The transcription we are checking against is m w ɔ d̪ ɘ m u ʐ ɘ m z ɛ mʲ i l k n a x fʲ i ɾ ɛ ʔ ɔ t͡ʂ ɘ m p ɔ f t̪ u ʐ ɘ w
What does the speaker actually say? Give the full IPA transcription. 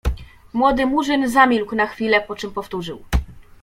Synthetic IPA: m w ɔ d̪ ɘ m u ʐ ɘ n z a mʲ i l k n a x fʲ i l ɛ p ɔ t͡ʂ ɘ m p ɔ f t̪ u ʐ ɘ w